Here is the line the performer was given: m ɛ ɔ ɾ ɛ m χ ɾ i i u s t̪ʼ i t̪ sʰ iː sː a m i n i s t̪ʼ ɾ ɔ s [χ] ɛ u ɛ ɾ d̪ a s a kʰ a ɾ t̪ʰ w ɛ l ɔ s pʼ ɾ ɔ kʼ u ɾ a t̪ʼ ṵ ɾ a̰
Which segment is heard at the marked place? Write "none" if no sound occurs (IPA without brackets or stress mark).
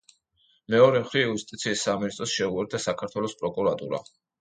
ʃ